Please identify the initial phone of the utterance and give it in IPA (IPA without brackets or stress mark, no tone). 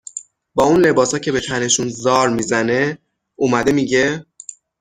b